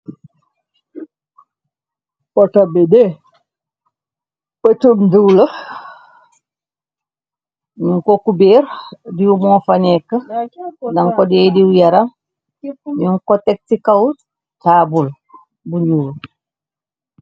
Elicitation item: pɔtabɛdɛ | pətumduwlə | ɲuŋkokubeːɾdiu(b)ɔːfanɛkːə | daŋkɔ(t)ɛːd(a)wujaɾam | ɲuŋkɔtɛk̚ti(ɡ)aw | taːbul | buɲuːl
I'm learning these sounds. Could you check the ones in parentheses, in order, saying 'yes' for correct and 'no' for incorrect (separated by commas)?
no, no, no, no